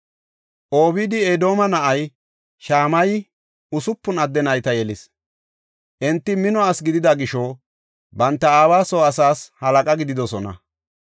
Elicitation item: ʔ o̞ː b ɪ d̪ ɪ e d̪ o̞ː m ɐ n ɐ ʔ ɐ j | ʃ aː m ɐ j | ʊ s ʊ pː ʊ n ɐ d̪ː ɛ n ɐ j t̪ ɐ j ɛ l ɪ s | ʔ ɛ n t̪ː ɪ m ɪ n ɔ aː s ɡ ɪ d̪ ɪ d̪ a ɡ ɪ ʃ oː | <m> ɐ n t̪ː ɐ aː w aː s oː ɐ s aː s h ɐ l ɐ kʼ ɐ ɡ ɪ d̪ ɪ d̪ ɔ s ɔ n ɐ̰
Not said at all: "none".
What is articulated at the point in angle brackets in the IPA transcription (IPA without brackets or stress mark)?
b